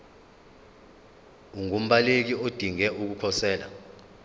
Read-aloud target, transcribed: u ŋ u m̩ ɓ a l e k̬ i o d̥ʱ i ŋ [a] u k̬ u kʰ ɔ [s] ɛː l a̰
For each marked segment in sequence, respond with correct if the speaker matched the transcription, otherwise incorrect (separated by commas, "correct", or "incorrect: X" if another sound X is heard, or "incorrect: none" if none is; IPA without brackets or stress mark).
incorrect: ɛ, correct